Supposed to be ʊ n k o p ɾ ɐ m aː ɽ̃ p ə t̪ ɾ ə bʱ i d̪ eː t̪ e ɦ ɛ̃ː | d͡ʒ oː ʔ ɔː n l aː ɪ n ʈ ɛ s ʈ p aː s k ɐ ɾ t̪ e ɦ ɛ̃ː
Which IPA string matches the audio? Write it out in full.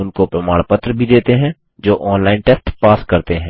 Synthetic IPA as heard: ʊ n k o p ɾ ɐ m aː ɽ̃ p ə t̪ ɾ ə bʱ i d̪ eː t̪ e ɦ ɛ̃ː | d͡ʒ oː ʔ ɔː n l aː ɪ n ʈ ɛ s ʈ p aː s k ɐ ɾ t̪ e ɦ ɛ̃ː